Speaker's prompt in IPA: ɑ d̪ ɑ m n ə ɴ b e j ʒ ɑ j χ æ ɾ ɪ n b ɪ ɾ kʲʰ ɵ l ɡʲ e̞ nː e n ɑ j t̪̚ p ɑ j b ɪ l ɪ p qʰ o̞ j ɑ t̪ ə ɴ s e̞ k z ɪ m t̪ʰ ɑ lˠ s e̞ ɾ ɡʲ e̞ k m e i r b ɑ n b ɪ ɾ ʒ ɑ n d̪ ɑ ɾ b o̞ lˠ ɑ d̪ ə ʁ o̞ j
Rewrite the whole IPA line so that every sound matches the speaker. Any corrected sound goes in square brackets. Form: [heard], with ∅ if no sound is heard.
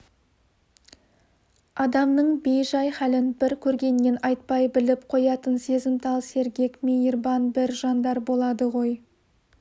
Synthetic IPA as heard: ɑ d̪ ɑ m n ə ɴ b e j ʒ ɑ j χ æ [l] ɪ n b ɪ ɾ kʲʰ ɵ [ɾ] ɡʲ e̞ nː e n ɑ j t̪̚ p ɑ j b ɪ l ɪ p qʰ o̞ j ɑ t̪ ə [n] s e̞ [∅] z ɪ m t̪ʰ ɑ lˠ s e̞ ɾ ɡʲ e̞ k m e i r b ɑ n b ɪ ɾ ʒ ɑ n d̪ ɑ ɾ b o̞ lˠ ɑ d̪ ə ʁ o̞ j